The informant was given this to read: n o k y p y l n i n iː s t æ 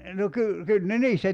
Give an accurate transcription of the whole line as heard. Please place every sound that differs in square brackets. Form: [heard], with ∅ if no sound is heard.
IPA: n o k y [k] y l n [e] n iː s t æ